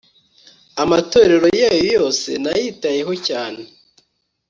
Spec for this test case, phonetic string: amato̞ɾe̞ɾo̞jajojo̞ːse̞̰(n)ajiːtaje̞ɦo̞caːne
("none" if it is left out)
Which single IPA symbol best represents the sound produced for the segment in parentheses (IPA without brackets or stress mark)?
n